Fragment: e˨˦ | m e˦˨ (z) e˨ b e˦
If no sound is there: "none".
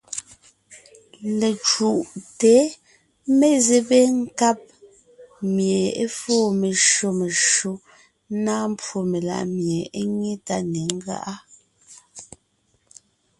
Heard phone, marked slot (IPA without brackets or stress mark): z